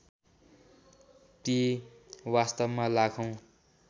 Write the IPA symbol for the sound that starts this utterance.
t̪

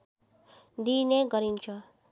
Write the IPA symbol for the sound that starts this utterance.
d̪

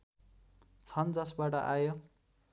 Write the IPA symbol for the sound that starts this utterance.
t͡sʰ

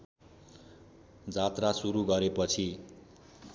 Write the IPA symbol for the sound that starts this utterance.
d͡z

